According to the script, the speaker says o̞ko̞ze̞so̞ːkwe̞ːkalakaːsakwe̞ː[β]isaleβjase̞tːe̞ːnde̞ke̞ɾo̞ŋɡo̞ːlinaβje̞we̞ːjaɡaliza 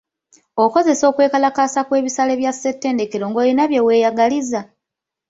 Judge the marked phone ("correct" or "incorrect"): correct